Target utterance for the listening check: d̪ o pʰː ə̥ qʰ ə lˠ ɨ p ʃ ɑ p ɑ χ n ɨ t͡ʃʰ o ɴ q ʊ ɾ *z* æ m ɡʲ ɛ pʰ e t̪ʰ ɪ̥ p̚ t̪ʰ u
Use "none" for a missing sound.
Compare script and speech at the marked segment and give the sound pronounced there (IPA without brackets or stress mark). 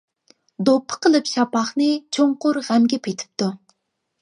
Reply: ʁ